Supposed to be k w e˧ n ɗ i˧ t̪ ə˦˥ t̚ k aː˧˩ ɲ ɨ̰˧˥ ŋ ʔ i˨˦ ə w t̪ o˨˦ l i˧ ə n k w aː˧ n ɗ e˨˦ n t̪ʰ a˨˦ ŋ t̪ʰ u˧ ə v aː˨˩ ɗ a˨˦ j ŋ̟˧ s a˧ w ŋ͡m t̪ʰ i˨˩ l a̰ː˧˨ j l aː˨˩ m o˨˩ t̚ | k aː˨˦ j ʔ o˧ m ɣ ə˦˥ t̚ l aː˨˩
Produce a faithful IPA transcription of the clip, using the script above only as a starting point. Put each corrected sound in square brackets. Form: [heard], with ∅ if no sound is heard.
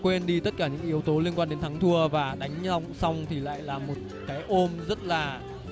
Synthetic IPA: k w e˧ n ɗ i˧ t̪ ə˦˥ t̚ k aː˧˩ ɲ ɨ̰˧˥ ŋ ʔ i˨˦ ə w t̪ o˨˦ l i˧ ə n k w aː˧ n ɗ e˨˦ n t̪ʰ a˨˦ ŋ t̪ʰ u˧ ə v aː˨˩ ɗ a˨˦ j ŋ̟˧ s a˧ w ŋ͡m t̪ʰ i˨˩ l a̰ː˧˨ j l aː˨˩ m o˨˩ t̚ | k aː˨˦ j ʔ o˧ m [z] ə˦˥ t̚ l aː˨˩